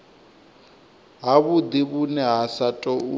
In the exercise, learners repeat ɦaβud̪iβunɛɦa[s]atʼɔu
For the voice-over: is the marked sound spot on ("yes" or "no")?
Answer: yes